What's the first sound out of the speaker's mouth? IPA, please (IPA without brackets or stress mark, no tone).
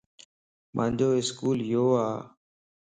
m